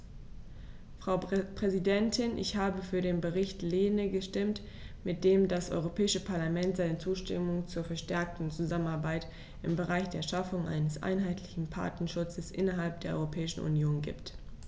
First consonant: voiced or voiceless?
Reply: voiceless